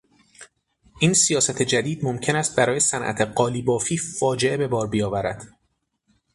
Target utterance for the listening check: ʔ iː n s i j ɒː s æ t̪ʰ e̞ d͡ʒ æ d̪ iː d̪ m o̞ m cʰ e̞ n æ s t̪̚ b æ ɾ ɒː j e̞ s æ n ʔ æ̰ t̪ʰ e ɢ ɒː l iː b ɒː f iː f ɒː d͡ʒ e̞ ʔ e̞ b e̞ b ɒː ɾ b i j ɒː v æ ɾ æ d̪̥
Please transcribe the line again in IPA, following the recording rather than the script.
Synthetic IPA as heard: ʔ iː n s i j ɒː s æ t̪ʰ e̞ d͡ʒ æ d̪ iː d̪ m o̞ m cʰ e̞ n æ s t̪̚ b æ ɾ ɒː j e̞ s æ n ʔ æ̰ t̪ʰ e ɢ ɒː l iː b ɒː f iː f ɒː d͡ʒ e̞ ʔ e̞ b e̞ b ɒː ɾ b i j ɒː v æ ɾ æ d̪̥